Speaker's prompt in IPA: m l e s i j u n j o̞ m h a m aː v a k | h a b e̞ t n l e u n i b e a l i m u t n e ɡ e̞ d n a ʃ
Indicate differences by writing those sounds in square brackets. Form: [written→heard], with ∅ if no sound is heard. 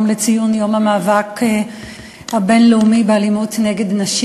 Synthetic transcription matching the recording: m l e [s→t͡s] i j u n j o̞ m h a m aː v a k | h a b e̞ [t→∅] n l e u [n→m] i b e a l i m u t n e ɡ e̞ d n a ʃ